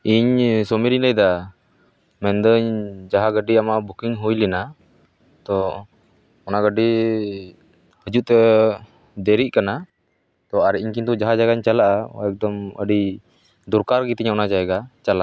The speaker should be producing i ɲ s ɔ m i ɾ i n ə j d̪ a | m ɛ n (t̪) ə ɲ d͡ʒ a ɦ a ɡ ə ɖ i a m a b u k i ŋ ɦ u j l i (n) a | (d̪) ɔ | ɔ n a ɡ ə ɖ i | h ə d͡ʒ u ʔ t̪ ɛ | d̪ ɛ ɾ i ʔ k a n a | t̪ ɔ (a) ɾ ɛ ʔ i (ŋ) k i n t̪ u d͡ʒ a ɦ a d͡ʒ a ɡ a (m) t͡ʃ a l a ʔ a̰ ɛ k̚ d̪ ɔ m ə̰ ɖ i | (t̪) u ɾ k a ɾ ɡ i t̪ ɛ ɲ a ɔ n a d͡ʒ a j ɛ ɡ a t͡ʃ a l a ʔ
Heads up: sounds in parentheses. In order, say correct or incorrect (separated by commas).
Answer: incorrect, correct, incorrect, correct, incorrect, incorrect, incorrect